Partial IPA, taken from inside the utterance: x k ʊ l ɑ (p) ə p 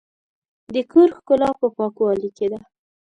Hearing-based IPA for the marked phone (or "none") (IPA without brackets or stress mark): p